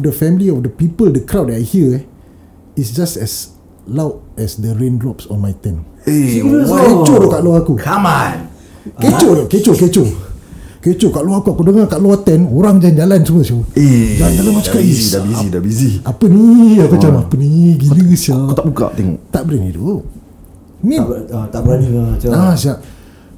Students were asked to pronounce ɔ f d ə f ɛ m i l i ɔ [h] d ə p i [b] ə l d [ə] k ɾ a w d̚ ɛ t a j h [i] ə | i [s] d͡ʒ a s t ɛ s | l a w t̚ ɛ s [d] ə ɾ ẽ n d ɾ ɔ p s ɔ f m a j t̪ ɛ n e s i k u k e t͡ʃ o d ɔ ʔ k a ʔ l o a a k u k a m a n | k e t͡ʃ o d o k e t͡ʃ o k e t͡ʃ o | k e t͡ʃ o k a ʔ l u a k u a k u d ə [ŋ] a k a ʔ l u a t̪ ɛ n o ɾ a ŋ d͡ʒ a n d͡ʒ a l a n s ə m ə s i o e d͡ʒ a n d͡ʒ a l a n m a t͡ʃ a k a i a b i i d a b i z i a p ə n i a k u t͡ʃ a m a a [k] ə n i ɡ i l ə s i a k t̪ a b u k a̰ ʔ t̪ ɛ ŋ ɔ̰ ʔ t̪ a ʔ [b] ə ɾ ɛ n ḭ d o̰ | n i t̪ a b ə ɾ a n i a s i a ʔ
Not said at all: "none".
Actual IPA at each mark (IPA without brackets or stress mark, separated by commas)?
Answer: f, p, ə, i, s, d, ŋ, p, b